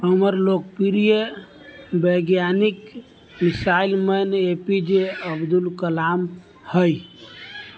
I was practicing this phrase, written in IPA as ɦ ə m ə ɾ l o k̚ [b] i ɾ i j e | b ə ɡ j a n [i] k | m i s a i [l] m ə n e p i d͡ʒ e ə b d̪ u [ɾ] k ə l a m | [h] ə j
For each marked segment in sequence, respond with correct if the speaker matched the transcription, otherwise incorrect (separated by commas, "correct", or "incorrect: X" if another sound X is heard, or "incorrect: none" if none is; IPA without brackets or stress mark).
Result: incorrect: p, correct, correct, incorrect: l, correct